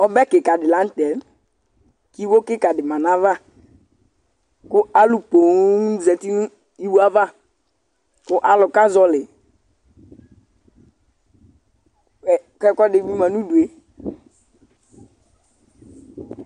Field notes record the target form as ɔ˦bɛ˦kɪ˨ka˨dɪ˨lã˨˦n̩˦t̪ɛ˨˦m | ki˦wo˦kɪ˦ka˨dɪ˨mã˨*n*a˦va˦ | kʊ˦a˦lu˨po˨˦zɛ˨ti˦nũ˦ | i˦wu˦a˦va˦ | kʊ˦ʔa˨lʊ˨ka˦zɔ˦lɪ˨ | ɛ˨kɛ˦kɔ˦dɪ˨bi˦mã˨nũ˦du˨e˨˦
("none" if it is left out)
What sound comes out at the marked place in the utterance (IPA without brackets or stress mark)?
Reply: n